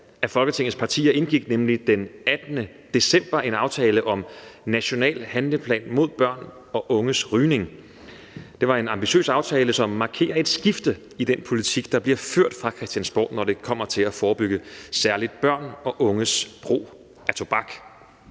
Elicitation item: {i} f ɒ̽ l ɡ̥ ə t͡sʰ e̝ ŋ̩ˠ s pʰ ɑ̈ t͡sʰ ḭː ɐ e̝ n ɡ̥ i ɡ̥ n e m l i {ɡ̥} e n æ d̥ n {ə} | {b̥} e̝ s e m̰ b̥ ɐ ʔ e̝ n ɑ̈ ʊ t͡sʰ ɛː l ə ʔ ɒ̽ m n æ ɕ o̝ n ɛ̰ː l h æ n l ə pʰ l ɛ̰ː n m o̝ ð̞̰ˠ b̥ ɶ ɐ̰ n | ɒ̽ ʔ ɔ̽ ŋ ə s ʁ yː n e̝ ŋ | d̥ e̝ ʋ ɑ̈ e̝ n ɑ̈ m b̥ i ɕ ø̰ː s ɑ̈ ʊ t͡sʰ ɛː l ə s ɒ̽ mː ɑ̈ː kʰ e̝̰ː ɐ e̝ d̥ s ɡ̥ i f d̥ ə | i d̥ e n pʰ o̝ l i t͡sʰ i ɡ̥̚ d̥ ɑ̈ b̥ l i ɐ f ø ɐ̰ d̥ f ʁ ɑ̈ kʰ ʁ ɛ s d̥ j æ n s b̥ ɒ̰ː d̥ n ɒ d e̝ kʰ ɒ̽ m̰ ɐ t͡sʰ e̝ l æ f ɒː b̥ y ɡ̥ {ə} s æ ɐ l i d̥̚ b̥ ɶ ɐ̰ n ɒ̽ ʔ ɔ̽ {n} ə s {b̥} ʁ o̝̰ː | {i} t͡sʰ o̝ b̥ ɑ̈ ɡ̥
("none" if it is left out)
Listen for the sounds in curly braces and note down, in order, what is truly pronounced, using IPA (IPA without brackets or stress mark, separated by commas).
æ, d̥, ə, d̥, ə, ŋ, b̥, æ